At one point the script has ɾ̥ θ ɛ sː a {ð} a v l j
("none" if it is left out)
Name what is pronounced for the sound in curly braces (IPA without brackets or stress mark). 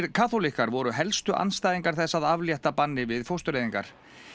ð